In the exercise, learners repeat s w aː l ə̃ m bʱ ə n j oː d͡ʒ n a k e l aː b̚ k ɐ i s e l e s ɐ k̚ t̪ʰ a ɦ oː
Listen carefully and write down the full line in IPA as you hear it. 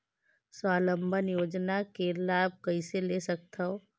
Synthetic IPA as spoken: s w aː l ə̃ m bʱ ə n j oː d͡ʒ n a k e l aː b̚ k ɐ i s e l e s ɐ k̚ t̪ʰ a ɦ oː

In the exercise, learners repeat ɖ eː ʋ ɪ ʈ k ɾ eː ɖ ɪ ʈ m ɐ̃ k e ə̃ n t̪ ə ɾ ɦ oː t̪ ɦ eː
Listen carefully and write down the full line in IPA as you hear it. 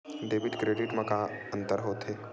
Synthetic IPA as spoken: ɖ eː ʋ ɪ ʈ k ɾ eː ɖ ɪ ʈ m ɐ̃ k a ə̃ n t̪ ə ɾ ɦ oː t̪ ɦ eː

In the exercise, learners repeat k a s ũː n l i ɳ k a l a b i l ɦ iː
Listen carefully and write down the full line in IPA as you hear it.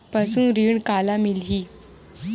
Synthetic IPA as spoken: p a s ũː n ɾ i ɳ k a l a m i l ɦ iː

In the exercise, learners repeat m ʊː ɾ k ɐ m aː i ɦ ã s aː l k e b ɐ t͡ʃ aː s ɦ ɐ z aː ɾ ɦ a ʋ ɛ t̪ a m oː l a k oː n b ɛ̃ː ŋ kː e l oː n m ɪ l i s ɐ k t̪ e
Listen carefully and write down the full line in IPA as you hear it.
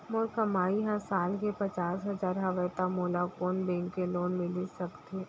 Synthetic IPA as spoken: m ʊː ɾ k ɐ m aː i ɦ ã s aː l k e p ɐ t͡ʃ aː s ɦ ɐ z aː ɾ ɦ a ʋ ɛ t̪ a m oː l a k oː n b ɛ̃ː ŋ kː e l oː n m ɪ l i s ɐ k t̪ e

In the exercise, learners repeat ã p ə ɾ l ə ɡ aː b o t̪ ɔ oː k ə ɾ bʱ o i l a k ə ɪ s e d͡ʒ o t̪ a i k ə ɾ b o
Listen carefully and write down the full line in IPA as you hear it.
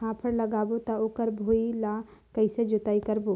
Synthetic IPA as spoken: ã pʰ ə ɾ l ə ɡ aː b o t̪ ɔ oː k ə ɾ bʱ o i l a k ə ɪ s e d͡ʒ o t̪ a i k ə ɾ b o

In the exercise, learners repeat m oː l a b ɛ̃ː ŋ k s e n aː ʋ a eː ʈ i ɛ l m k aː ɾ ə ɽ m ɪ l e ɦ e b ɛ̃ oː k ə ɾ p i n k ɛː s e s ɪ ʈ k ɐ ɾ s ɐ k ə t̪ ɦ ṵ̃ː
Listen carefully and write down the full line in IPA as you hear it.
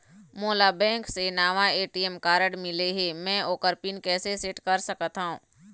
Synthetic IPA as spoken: m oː l a b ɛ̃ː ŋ k s e n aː ʋ a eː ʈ i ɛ m k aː ɾ ə ɽ m ɪ l e ɦ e m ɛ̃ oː k ə ɾ p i n k ɛː s e s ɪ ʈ k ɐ ɾ s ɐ k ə t̪ ɦ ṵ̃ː

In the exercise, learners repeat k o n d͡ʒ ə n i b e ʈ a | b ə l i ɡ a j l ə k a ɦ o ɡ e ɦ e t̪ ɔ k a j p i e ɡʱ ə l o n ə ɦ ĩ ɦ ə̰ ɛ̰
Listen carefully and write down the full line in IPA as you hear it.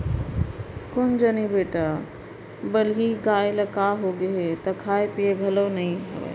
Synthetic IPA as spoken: k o n d͡ʒ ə n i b e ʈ a | b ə l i ɡ a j l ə k a ɦ o ɡ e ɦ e t̪ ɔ kʰ a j p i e ɡʱ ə l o n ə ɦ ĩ ɦ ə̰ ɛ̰

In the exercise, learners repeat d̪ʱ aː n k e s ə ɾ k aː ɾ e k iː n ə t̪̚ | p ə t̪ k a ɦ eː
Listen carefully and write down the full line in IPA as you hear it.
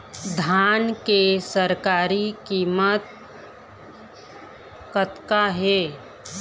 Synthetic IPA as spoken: d̪ʱ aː n k e s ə ɾ k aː ɾ i k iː m ə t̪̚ | k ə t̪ k a ɦ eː

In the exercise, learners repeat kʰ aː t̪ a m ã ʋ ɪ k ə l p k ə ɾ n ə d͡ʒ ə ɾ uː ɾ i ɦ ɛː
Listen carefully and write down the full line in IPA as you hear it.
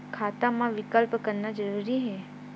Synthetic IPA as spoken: kʰ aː t̪ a m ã ʋ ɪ k ə l p k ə ɾ n a d͡ʒ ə ɾ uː ɾ i ɦ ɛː

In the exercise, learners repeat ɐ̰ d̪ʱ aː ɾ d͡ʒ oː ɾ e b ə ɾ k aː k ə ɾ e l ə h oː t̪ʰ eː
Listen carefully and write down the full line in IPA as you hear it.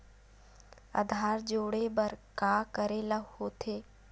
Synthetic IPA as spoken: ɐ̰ d̪ʱ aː ɾ d͡ʒ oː ɽ e b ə ɾ k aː k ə ɾ e l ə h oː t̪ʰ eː

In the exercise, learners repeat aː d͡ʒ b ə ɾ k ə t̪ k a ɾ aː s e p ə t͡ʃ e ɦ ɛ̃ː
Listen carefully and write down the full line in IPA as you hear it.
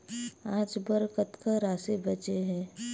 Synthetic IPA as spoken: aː d͡ʒ b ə ɾ k ə t̪ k a ɾ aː s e b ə t͡ʃ e ɦ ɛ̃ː

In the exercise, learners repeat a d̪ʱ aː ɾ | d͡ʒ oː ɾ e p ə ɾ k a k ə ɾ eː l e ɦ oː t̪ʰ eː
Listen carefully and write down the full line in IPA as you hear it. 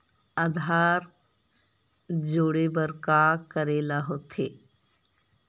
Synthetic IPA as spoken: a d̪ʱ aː ɾ | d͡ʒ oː ɽ e b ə ɾ k a k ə ɾ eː l a ɦ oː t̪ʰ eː

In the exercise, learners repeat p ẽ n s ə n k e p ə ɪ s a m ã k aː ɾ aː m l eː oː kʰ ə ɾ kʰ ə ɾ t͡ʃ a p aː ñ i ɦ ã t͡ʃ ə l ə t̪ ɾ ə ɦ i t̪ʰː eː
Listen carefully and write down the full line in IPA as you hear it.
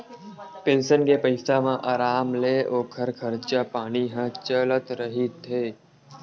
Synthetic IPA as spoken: p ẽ n s ə n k e p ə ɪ s a m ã ʔ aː ɾ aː m l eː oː kʰ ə ɾ kʰ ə ɾ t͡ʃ a p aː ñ i ɦ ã t͡ʃ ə l ə t̪ ɾ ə ɦ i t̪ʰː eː

